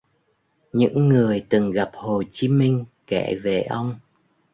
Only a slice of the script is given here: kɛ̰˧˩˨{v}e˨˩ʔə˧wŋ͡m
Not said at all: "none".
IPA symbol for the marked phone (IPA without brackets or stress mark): v